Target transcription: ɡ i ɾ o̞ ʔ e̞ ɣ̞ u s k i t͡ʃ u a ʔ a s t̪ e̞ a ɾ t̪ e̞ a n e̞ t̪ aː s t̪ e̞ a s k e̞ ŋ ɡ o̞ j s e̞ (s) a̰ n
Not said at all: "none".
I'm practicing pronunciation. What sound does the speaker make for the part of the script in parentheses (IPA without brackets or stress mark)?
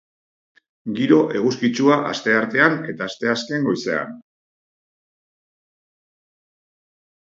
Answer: none